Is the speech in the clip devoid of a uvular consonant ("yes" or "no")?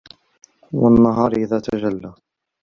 yes